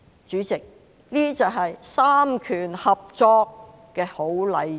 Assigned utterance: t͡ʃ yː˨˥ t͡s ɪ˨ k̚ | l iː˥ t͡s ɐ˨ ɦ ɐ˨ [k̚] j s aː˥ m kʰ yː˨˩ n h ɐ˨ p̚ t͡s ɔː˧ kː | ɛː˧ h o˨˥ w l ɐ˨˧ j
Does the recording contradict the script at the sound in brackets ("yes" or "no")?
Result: yes